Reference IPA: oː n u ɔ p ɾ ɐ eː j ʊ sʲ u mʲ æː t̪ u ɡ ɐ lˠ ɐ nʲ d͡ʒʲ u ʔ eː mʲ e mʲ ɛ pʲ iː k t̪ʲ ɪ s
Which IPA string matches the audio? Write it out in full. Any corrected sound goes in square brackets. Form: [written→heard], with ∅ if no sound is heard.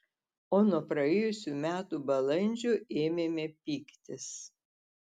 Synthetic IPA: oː n u ɔ p ɾ ɐ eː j ʊ sʲ u mʲ æː t̪ u [ɡ→b] ɐ lˠ ɐ nʲ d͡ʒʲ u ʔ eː mʲ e mʲ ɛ pʲ iː k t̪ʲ ɪ s